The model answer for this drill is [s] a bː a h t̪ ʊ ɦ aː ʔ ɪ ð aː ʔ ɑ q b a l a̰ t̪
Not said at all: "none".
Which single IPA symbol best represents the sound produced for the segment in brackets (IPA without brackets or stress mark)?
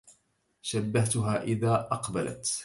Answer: ʃ